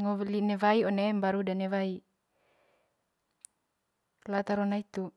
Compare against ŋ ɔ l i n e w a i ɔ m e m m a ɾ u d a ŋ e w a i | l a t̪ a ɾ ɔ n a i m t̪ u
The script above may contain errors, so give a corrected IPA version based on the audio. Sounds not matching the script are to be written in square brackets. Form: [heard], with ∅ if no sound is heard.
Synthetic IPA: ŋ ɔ l i n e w a i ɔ [n] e m [b] a ɾ u d a [n] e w a i | l a t̪ a ɾ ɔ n a i [∅] t̪ u